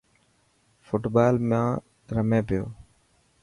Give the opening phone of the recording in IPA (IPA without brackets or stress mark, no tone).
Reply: f